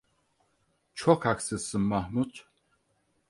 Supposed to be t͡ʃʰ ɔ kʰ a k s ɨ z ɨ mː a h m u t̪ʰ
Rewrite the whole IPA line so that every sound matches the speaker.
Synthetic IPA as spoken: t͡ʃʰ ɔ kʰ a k s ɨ s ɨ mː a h m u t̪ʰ